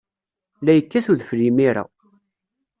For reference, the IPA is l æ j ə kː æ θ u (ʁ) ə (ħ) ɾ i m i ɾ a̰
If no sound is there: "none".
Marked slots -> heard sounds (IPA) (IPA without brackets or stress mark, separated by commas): ð, f